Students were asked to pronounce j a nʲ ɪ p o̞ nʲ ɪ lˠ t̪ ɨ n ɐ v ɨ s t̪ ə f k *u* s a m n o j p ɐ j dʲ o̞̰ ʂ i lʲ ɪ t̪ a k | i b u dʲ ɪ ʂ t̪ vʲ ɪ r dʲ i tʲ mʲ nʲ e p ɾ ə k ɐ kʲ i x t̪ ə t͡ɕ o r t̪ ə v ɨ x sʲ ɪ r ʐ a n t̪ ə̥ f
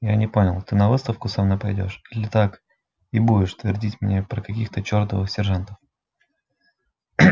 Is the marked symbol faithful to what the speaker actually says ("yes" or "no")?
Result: no